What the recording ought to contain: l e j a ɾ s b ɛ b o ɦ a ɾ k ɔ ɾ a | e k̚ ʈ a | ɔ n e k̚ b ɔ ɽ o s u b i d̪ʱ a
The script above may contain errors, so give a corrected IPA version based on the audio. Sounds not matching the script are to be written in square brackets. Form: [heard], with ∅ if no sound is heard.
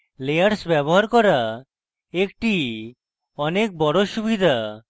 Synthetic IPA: l e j a ɾ s b ɛ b o ɦ a ɾ k ɔ ɾ a | e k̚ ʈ [i] | ɔ n e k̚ b ɔ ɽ o [ʃ] u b i d̪ʱ a